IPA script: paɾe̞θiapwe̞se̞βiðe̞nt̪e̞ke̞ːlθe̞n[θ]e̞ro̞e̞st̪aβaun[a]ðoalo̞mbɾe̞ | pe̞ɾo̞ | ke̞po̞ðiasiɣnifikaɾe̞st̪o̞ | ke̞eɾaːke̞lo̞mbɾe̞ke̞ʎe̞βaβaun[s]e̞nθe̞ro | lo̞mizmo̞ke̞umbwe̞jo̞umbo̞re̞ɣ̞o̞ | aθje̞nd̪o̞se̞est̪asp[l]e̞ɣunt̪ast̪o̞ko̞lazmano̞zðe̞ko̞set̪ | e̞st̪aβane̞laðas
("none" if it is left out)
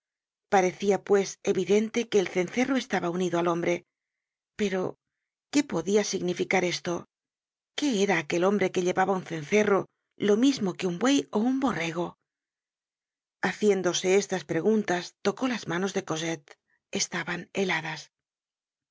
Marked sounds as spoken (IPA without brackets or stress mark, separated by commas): θ, i, θ, ɾ